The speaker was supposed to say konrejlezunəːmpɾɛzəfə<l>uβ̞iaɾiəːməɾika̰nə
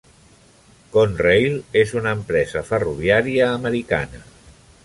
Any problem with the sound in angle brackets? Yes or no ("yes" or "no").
yes